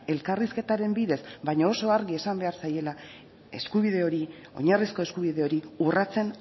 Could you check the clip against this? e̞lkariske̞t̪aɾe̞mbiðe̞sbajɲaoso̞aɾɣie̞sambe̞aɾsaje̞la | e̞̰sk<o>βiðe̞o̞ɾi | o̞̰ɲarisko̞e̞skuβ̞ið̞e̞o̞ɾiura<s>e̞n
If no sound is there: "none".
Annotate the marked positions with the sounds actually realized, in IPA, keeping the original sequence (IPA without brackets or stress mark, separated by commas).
u, t͡s